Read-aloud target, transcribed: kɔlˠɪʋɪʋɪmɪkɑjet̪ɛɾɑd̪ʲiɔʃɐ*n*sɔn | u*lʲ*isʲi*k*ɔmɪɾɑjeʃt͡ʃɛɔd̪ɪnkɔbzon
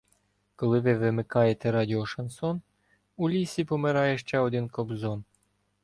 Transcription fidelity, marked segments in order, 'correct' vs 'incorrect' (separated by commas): correct, correct, incorrect